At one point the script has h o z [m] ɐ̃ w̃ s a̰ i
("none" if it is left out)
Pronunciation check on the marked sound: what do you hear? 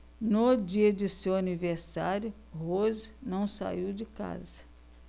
n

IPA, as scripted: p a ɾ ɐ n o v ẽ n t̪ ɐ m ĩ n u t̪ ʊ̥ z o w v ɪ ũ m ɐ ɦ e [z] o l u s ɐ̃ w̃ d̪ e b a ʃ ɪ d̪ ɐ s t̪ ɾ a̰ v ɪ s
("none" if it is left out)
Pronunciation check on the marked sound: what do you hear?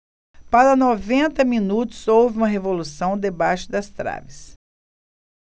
v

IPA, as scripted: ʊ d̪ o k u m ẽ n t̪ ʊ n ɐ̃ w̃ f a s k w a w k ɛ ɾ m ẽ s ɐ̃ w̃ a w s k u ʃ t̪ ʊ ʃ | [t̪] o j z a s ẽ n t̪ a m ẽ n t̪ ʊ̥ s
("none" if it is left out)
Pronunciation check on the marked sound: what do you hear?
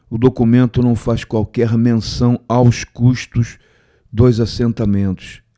d̪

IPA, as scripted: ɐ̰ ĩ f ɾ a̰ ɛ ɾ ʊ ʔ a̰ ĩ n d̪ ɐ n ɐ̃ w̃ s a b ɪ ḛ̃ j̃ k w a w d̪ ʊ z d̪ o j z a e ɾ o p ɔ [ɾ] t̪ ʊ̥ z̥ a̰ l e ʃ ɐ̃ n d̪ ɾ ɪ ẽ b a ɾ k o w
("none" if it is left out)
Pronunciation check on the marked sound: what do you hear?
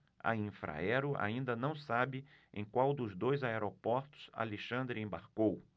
ɾ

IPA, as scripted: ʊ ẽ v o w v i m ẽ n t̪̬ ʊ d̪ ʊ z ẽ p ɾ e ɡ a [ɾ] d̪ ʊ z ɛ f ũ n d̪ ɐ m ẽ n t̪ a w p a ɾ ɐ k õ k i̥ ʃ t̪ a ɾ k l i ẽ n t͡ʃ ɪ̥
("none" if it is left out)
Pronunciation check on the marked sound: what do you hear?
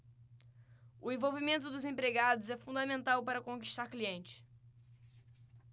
none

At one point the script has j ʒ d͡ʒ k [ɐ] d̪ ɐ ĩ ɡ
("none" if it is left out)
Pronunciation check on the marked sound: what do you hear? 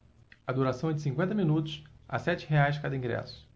a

